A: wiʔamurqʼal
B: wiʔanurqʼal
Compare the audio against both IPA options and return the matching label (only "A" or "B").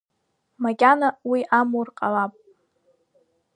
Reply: A